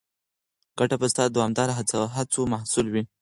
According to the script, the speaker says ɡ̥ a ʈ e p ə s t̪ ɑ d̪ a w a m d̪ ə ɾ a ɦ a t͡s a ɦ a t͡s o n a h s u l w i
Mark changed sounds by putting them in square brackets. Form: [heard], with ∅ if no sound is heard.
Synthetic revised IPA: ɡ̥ a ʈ [a] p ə s t̪ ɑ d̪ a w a m d̪ [ɑ] ɾ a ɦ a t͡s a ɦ a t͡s o [m] a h s u l w i